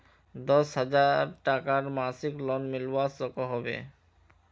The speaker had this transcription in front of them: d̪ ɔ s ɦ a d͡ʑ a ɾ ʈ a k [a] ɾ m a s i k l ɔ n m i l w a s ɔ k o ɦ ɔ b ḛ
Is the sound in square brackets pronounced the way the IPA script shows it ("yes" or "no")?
yes